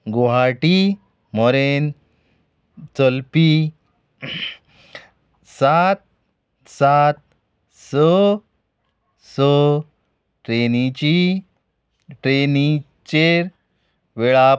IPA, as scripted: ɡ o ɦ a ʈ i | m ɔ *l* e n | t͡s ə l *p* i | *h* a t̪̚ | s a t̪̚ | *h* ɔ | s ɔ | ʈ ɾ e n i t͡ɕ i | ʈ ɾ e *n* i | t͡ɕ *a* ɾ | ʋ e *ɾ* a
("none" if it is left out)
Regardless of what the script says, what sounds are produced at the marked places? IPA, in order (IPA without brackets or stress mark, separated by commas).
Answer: ɾ, p, s, s, n, e, ɭ